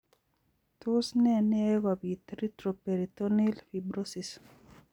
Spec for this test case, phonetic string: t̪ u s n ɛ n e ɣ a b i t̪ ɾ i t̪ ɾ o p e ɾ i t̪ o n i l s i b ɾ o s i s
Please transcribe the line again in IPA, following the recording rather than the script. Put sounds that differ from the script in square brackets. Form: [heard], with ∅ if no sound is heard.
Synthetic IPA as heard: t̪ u s n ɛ n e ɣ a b i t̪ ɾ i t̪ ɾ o p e ɾ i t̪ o n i l [f] i b ɾ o s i s